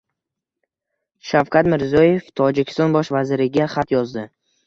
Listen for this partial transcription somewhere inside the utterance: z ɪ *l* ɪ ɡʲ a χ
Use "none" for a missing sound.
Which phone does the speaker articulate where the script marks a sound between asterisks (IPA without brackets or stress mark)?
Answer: ɾ